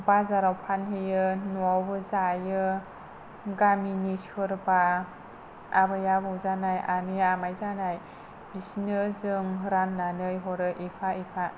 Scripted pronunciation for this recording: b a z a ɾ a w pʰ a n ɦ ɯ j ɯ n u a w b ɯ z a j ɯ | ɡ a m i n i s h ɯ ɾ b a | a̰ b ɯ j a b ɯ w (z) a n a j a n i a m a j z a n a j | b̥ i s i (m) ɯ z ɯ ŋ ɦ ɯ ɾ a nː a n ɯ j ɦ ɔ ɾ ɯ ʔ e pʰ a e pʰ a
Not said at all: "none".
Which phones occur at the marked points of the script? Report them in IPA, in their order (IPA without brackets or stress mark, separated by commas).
z, n